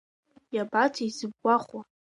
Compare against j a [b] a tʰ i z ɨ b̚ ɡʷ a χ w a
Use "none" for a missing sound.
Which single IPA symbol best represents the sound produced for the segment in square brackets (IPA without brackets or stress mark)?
b